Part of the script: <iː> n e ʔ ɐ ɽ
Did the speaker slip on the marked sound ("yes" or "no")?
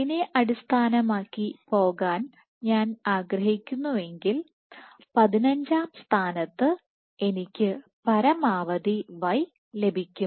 yes